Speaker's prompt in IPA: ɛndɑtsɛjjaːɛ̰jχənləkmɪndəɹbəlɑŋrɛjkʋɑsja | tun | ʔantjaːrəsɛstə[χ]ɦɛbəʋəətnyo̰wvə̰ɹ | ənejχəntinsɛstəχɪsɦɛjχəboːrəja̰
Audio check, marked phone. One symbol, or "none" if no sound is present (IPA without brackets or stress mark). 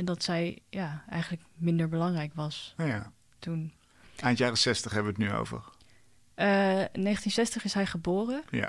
χ